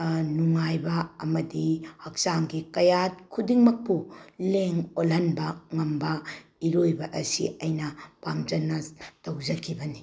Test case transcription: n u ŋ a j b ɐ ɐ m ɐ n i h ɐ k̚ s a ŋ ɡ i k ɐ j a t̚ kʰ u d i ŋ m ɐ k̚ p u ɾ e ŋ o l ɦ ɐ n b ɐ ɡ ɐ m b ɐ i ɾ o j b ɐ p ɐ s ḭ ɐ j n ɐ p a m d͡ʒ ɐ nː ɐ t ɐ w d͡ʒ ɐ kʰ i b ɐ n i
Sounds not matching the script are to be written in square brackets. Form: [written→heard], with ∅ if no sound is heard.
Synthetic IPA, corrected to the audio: n u ŋ a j b ɐ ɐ m ɐ [n→d] i h ɐ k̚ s a ŋ ɡ i k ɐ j a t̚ kʰ u d i ŋ m ɐ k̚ p u [ɾ→l] e ŋ o l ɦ ɐ n b ɐ [ɡ→ŋ] ɐ m b ɐ i ɾ o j b ɐ [p→ʔ] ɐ s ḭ ɐ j n ɐ p a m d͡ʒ ɐ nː ɐ t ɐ w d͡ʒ ɐ kʰ i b ɐ n i